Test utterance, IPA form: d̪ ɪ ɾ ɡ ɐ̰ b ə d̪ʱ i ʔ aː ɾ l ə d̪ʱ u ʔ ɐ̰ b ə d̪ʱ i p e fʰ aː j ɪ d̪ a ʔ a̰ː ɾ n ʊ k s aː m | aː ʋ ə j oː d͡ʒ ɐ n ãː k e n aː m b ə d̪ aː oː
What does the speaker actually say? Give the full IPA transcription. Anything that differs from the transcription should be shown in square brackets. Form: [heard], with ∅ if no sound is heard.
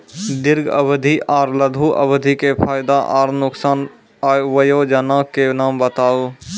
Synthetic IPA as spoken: d̪ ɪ ɾ ɡ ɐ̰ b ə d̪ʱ i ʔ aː ɾ l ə d̪ʱ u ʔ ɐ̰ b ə d̪ʱ i [k] e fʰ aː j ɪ d̪ a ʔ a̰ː ɾ n ʊ k s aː [n] | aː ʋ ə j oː d͡ʒ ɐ n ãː k e n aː m b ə [t̪] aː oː